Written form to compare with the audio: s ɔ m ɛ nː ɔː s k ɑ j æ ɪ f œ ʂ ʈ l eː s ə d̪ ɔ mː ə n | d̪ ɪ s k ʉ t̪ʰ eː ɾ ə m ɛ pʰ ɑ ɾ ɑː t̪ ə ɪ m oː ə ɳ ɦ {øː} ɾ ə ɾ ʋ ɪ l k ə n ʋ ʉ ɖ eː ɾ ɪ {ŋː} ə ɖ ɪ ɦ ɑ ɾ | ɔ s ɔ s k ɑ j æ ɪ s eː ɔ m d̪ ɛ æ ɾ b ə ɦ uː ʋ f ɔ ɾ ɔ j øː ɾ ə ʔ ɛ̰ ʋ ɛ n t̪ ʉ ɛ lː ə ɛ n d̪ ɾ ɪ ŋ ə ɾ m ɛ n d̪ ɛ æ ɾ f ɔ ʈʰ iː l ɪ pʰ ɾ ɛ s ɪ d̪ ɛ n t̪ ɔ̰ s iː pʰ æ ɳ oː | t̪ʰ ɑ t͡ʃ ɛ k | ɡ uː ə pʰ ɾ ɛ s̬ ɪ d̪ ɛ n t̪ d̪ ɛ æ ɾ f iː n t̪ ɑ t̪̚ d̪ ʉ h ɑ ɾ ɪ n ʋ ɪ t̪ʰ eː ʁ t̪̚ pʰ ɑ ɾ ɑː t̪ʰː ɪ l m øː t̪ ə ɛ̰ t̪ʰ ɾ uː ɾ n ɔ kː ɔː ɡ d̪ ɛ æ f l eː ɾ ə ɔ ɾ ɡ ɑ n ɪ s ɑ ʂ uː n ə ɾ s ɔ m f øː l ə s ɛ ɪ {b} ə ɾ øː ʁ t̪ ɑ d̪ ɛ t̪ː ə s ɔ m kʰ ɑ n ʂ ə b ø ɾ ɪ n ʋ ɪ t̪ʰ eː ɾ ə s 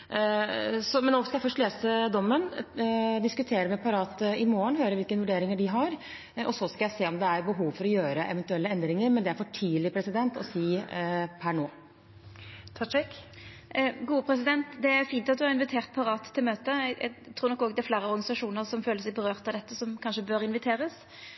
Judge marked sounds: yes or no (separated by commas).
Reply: yes, no, yes